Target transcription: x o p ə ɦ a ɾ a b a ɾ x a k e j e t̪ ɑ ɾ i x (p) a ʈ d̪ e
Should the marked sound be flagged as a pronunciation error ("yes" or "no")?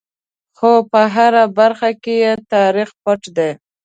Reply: no